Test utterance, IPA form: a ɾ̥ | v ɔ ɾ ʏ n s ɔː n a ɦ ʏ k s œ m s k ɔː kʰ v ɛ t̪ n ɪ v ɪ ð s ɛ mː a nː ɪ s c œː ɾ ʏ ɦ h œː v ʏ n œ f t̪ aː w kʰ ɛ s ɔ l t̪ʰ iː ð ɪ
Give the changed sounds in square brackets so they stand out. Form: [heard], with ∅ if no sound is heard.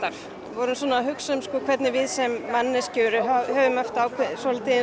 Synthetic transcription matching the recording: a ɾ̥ | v ɔ ɾ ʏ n s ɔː n a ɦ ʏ k s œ m s k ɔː kʰ v ɛ t̪ n ɪ v ɪ ð s ɛ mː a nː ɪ s c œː ɾ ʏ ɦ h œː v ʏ [m] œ f t̪ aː w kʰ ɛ s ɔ l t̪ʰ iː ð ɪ